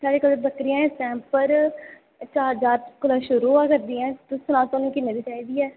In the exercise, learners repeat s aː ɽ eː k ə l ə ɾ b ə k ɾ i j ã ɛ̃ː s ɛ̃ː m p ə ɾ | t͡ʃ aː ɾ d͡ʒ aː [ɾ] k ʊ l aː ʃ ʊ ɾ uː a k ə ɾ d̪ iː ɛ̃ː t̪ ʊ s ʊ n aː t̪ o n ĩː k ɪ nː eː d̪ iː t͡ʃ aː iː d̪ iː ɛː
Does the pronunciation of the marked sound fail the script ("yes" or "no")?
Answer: no